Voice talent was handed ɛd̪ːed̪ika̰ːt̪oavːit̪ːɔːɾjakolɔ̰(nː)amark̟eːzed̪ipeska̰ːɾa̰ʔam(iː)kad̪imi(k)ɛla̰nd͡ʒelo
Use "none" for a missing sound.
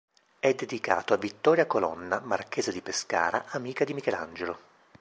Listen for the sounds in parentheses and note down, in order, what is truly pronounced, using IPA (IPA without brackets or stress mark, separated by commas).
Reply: nː, iː, k